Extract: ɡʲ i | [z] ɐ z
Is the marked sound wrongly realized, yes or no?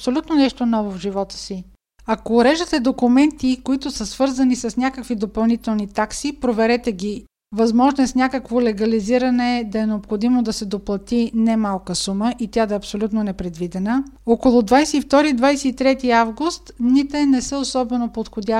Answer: yes